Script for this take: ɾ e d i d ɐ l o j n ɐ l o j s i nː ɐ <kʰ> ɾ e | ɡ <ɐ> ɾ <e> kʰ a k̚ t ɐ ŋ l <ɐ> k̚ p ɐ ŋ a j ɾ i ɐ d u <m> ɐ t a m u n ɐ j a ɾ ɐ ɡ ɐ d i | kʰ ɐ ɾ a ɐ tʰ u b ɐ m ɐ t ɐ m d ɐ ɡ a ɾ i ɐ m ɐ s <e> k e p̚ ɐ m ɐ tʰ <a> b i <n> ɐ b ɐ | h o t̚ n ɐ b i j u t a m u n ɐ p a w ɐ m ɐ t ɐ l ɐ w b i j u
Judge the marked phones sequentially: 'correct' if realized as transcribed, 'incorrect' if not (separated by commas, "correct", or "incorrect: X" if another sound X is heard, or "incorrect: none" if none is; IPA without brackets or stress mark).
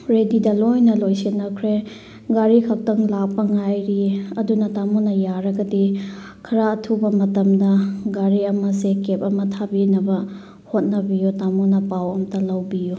correct, incorrect: a, incorrect: i, incorrect: a, incorrect: n, correct, correct, correct